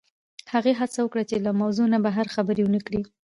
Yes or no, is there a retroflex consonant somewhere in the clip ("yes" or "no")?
yes